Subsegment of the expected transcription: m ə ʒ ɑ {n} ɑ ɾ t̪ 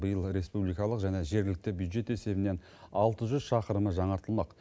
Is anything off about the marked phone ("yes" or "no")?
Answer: yes